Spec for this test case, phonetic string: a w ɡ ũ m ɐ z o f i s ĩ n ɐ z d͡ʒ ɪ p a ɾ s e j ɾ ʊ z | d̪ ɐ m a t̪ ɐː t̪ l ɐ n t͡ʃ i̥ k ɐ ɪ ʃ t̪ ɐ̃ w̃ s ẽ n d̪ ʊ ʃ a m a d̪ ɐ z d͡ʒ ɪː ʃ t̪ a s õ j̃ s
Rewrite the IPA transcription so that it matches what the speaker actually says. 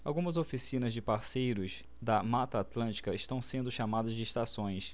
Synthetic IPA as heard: a w ɡ ũ m ɐ z o f i s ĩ n ɐ z d͡ʒ ɪ p a ɾ s e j ɾ ʊ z | d̪ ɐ m a t̪ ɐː t̪ l ɐ̃ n t͡ʃ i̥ k ɐ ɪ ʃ t̪ ɐ̃ w̃ s ẽ n d̪ ʊ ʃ a m a d̪ ɐ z d͡ʒ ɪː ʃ t̪ a s õ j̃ s